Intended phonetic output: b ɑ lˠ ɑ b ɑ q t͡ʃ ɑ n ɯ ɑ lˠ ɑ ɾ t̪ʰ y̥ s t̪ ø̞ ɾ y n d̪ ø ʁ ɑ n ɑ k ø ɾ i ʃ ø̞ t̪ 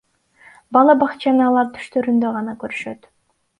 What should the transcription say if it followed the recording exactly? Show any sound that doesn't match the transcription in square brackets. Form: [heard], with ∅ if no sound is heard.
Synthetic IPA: b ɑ lˠ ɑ b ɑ q t͡ʃ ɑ n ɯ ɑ lˠ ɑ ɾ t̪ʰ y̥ [ʃ] t̪ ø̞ ɾ y n d̪ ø ʁ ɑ n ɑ k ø ɾ [y] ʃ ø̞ t̪